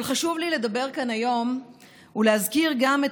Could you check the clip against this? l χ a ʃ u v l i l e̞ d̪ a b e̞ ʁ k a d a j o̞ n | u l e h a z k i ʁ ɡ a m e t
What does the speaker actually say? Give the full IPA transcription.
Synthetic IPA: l χ a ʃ u v l i l e̞ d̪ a b e̞ ʁ k a n a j o̞ m | u l e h a z k i ʁ ɡ a m e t

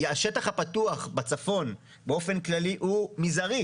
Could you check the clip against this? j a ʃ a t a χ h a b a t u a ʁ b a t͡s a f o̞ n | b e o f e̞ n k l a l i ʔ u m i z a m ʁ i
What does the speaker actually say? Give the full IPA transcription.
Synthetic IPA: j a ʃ e t a χ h a p a t u a χ b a t͡s a f o̞ n | b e o f e̞ n k l a l i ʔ u m i z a ʁ i

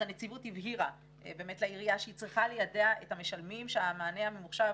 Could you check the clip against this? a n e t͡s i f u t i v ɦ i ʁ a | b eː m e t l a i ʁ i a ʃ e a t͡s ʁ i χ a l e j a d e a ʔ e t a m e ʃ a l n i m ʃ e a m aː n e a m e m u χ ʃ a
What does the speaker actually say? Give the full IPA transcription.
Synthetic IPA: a n e t͡s i v u t i v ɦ i ʁ a | b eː m e t l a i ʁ i a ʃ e i t͡s ʁ i χ a l e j a d e a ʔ e t a m e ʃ a l m i m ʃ e a m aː n e a m e m u χ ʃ a

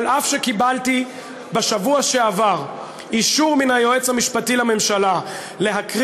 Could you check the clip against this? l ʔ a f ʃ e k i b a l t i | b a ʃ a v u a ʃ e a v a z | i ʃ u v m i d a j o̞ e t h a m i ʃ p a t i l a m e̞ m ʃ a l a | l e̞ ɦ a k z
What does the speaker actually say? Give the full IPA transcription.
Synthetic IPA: l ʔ a f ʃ e k i b a l t i | b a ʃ a v u a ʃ e a v a ʁ | i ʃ u ʁ m i n a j o̞ e t͡s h a m i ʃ p a t i l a m e̞ m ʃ a l a | l e̞ ɦ a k ʁ

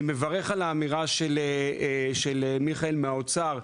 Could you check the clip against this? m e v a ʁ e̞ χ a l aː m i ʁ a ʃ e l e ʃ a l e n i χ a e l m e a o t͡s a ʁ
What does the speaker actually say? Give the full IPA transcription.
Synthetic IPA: m e v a ʁ e̞ χ a l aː m i ʁ a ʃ e l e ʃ e l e m i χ a e l m e a o t͡s a ʁ

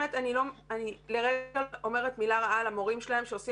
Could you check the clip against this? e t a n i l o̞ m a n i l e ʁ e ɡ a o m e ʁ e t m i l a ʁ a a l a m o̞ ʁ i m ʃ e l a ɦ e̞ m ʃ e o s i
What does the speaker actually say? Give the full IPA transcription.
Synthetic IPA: e t a n i l o̞ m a n i l e ʁ e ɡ a o m e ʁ e t m i l a ʁ a a l a m o̞ ʁ i m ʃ e l a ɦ e̞ m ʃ e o s i

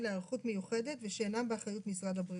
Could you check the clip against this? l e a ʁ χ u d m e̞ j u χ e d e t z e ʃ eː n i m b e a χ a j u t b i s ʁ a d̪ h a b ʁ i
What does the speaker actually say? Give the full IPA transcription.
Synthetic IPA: l e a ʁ χ u t m e̞ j u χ e d e t v e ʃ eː n a m b e a χ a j u t m i s ʁ a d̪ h a b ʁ i

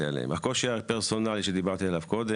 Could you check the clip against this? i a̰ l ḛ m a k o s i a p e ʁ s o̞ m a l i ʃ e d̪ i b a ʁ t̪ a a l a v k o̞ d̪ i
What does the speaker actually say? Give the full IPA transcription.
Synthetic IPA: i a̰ l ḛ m a k o ʃ i a p e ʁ s o̞ n a l i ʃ e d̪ i b a ʁ t̪ i a l a v k o̞ d̪ e

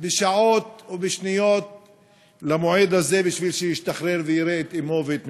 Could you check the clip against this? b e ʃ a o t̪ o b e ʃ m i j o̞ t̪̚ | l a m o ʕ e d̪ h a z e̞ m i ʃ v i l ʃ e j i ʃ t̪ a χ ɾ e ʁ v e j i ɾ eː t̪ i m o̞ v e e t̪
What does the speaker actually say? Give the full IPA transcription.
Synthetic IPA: b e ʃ a o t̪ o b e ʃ n i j o̞ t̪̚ | l a m o ʕ e d̪ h a z e̞ b i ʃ v i l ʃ e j i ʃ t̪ a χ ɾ e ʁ v e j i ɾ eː t̪ i m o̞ v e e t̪

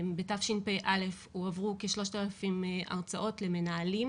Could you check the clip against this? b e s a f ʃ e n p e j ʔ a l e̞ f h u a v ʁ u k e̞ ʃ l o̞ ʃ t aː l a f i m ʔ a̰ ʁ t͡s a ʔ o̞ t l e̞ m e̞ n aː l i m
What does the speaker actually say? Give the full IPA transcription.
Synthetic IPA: b e t a f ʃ i n p e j ʔ a l e̞ f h u a v ʁ u k e̞ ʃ l o̞ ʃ t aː l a f i m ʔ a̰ ʁ t͡s a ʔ o̞ t l e̞ m e̞ n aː l i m

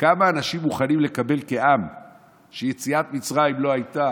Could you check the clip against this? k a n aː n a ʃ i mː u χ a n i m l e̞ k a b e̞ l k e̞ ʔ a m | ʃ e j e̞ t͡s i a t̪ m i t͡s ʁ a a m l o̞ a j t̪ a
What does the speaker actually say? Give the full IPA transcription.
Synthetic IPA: k a m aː n a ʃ i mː u χ a n i m l e̞ k a b e̞ l k e̞ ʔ a m | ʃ e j e̞ t͡s i a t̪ m i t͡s ʁ a i m l o̞ a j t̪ a

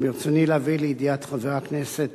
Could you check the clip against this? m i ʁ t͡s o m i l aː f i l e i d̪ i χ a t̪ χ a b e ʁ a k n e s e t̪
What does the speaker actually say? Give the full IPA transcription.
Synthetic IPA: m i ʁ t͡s o n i l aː v i l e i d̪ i a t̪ χ a v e ʁ a k n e s e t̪

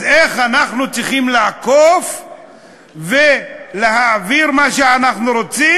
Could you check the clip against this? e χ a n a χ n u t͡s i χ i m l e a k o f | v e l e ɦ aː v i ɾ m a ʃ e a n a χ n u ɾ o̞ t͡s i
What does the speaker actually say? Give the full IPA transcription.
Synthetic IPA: e χ a n a χ n u t͡s i χ i m l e a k o f | v e l e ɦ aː v i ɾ m a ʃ e a n a χ n u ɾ o̞ t͡s i

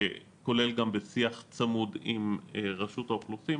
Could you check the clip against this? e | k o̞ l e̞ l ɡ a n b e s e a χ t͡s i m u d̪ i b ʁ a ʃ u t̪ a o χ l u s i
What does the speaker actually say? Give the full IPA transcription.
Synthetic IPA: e | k o̞ l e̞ l ɡ a m b e s i a χ t͡s a m u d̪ i m ʁ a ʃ u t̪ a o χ l u s i

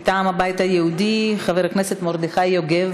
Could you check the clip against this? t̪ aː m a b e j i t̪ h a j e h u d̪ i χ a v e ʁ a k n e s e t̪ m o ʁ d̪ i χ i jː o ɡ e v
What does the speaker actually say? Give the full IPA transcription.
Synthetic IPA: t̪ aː m a b a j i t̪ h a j e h u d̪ i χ a v e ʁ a k n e s e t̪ m o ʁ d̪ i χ a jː o ɡ e v

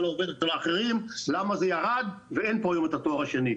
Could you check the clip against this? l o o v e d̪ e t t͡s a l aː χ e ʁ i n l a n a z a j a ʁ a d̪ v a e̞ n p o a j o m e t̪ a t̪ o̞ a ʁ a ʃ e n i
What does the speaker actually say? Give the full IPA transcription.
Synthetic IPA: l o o v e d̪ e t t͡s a l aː χ e ʁ i m l a m a z e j a ʁ a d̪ v e e̞ n p o a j o m e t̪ a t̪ o̞ a ʁ a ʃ e n i

